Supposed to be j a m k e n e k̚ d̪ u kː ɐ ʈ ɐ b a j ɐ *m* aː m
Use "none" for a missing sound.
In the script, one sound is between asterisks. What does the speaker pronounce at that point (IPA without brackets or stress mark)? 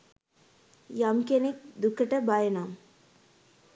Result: n